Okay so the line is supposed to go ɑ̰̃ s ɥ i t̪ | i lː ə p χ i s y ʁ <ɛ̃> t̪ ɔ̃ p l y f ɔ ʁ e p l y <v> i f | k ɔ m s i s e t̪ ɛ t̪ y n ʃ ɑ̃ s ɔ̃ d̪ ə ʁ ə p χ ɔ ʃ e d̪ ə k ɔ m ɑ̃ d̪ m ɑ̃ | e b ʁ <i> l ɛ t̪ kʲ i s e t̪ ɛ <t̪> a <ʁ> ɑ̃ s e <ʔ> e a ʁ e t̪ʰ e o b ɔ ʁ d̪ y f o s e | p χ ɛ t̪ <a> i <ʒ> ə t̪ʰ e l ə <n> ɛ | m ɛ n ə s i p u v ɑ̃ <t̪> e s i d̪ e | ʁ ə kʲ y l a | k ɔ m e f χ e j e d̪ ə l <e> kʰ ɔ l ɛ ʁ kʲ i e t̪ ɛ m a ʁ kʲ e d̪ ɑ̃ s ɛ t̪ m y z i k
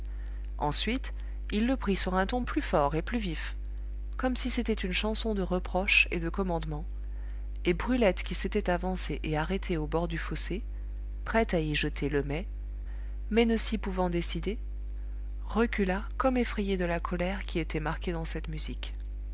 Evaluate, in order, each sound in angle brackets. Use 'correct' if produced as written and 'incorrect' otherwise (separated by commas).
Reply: correct, correct, incorrect, correct, incorrect, correct, correct, correct, incorrect, incorrect, incorrect